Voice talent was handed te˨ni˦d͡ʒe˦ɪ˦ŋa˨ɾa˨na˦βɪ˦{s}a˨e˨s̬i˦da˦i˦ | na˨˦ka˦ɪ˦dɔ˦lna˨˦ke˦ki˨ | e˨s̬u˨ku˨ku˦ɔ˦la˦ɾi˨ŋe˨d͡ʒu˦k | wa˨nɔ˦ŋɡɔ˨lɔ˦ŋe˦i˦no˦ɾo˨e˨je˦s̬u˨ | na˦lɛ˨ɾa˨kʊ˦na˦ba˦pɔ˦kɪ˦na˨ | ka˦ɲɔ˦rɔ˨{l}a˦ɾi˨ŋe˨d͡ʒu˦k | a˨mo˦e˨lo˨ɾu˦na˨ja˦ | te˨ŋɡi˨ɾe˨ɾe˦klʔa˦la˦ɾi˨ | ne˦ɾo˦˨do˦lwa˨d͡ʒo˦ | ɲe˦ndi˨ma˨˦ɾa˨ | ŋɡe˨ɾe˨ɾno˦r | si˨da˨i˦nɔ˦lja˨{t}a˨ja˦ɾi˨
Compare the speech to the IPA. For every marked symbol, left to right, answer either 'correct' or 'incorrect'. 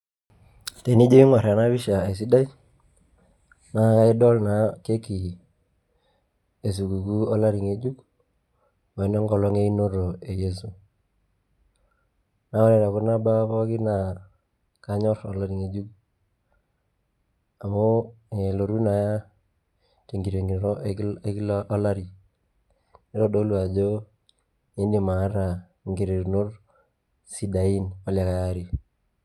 incorrect, correct, incorrect

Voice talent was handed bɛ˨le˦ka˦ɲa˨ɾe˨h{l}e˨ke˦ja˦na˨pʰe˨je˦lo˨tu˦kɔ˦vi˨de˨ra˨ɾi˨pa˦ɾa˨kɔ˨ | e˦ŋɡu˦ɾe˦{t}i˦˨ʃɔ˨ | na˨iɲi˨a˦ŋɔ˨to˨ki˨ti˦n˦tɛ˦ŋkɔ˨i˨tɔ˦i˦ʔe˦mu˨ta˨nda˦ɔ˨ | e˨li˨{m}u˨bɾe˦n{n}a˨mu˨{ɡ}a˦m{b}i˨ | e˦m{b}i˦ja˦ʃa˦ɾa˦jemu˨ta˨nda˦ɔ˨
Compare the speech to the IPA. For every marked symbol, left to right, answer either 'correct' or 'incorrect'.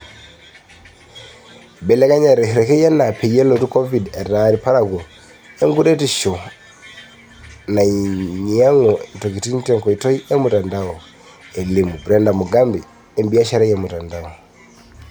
incorrect, correct, correct, incorrect, correct, correct, correct

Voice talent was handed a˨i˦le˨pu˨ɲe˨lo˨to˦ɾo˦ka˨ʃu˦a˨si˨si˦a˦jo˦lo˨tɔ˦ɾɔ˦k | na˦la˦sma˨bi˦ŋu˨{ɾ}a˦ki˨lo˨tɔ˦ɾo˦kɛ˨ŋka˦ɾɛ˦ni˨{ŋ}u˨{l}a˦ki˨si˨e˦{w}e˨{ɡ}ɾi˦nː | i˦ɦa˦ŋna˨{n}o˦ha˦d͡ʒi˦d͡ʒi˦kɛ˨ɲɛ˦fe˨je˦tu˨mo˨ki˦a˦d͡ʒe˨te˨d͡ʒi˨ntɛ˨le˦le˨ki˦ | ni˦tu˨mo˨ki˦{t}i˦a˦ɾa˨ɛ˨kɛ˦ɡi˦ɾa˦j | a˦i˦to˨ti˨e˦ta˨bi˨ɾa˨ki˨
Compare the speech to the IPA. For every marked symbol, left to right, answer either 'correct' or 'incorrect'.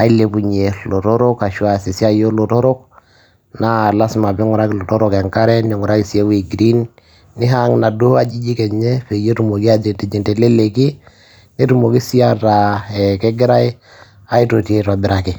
correct, correct, incorrect, correct, correct, incorrect, incorrect

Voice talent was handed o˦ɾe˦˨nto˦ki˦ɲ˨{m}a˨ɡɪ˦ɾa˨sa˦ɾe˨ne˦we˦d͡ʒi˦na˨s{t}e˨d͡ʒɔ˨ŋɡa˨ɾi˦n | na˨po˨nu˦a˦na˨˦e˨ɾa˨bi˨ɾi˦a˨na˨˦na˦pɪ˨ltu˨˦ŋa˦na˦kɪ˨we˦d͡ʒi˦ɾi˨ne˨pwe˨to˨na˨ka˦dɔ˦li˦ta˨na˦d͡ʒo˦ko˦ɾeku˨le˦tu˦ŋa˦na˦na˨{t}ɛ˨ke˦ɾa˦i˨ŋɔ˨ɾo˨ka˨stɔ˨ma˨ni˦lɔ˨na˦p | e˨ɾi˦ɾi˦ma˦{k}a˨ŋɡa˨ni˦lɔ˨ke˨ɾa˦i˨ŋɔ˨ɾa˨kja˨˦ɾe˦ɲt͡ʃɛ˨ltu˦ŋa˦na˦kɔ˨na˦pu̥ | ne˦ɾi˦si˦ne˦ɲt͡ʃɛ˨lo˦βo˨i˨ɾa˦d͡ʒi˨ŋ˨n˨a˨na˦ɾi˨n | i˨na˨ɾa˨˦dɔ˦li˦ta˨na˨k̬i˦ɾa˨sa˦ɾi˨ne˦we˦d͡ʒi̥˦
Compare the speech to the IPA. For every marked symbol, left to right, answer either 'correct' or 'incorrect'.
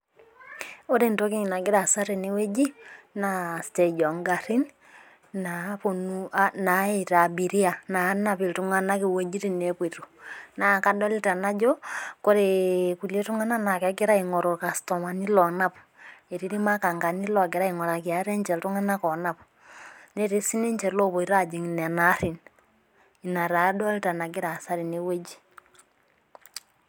incorrect, correct, incorrect, correct

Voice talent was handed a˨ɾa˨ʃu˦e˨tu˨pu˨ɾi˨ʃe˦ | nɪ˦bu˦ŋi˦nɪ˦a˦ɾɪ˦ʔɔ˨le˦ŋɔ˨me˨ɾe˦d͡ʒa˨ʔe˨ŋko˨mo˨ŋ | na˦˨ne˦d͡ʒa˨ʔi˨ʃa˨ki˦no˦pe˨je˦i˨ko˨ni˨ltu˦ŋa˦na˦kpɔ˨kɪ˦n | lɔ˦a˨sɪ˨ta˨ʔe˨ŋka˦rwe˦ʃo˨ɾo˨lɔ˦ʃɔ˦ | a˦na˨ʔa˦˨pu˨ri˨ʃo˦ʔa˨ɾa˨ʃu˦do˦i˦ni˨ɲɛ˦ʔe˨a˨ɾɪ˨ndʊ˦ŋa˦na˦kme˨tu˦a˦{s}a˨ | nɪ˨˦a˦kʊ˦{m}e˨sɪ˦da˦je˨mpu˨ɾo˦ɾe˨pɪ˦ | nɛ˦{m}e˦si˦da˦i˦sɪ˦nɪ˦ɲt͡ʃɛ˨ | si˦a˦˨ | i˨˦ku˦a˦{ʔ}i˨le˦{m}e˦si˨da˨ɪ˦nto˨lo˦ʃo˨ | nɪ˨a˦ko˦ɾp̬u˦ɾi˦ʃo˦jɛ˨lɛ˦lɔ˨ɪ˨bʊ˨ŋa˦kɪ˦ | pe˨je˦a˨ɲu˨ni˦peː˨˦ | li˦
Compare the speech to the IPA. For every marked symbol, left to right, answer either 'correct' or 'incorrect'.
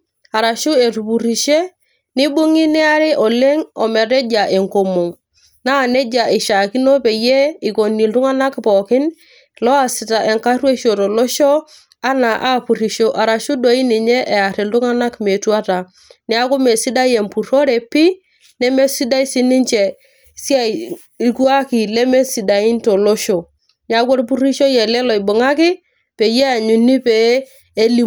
incorrect, correct, correct, incorrect, correct

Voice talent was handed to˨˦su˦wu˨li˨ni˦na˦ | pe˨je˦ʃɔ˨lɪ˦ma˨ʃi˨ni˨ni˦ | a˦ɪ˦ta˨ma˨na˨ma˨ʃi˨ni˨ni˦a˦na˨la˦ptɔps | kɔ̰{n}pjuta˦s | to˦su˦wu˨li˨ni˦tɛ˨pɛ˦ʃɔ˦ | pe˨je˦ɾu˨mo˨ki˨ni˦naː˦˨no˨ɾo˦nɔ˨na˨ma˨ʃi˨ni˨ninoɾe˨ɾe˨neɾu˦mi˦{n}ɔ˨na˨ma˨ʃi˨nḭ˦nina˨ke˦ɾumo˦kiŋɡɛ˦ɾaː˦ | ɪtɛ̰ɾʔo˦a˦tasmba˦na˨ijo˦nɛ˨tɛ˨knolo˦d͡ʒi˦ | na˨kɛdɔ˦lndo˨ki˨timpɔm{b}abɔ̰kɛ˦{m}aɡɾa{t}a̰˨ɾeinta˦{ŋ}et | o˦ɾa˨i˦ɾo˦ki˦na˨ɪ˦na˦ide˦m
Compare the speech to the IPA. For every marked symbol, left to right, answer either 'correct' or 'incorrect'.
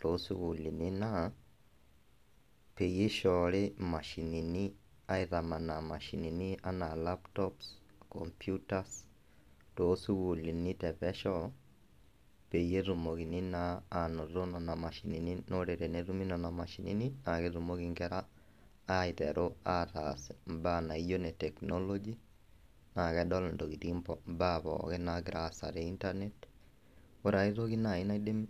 incorrect, correct, correct, incorrect, incorrect, incorrect

